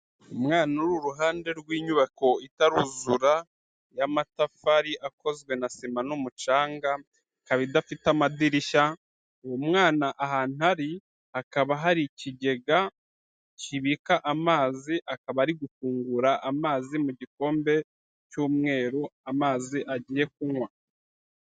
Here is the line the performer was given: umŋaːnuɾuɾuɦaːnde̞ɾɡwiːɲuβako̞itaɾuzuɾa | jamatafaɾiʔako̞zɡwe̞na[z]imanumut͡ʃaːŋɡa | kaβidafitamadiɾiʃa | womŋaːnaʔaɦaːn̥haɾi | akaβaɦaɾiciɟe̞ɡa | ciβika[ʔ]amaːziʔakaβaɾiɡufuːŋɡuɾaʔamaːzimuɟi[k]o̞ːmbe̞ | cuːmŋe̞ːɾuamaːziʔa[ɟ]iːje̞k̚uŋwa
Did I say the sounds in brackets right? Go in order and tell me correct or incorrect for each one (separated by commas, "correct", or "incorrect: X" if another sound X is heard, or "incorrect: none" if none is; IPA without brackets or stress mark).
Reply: incorrect: s, correct, correct, correct